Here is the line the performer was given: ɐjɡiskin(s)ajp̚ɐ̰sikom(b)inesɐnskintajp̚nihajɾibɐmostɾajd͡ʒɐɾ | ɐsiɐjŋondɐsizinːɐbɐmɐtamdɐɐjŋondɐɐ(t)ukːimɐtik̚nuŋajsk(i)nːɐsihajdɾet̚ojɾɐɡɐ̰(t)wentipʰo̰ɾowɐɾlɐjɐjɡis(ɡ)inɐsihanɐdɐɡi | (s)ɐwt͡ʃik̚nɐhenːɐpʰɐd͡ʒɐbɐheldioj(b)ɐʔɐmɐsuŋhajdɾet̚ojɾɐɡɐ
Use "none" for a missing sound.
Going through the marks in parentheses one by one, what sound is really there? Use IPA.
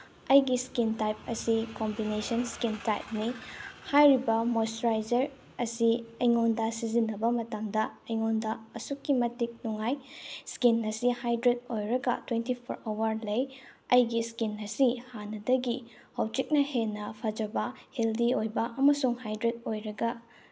t, b, s, i, t, k, h, b

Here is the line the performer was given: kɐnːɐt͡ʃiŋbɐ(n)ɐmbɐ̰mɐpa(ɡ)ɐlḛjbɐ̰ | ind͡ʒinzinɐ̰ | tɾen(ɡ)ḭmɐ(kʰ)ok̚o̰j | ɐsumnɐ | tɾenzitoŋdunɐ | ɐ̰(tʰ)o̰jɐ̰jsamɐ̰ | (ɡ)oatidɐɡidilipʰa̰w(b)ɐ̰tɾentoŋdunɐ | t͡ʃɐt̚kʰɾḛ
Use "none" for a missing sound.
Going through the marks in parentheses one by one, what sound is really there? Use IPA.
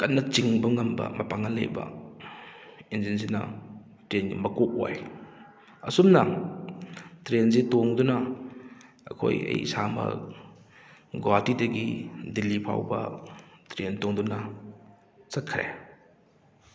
ŋ, ŋ, ɡ, k, kʰ, ɡ, b

